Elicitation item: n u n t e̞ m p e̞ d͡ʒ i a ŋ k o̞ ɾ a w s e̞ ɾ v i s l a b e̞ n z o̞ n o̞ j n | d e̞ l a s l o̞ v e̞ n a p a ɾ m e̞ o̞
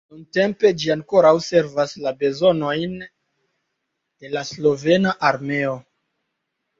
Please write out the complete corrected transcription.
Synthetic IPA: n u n t e̞ m p e̞ d͡ʒ i a ŋ k o̞ ɾ a w s e̞ ɾ v a s l a b e̞ z o̞ n o̞ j n | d e̞ l a s l o̞ v e̞ n a ʔ a ɾ m e̞ o̞